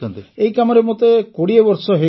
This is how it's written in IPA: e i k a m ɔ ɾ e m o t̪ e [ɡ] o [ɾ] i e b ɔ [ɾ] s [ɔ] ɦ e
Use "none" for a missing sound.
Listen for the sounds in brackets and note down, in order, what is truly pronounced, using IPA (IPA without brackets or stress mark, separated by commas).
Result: k, ɽ, ɾ, ɔ